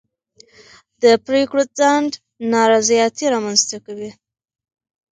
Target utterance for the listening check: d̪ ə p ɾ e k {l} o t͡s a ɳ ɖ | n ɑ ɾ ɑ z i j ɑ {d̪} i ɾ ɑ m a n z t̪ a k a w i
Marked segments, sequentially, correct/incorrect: incorrect: ɽ, incorrect: t̪

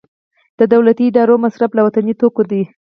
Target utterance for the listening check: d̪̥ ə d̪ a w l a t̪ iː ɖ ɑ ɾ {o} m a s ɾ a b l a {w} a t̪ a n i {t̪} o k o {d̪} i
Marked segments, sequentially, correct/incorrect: correct, correct, correct, correct

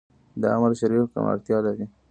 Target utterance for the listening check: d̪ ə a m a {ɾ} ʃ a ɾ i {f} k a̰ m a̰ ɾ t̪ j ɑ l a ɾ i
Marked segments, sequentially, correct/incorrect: correct, correct

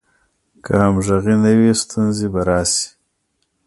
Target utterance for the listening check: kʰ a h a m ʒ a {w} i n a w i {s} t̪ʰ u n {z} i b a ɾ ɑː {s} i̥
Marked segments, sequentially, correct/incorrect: incorrect: ɣ, correct, correct, correct

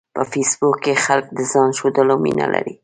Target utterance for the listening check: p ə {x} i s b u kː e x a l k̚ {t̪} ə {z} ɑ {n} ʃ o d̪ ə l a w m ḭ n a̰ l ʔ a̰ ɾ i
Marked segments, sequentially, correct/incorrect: incorrect: f, incorrect: d̪, correct, correct

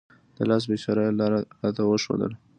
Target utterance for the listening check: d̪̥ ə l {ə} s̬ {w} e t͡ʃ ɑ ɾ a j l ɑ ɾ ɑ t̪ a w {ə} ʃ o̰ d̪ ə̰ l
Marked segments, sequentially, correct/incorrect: incorrect: ɑ, incorrect: b, correct

